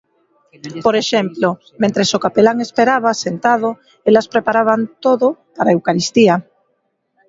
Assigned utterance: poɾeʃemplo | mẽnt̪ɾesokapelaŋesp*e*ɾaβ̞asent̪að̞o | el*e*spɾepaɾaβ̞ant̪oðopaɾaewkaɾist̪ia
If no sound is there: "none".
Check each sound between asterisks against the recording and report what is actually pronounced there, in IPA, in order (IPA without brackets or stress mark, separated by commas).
e, a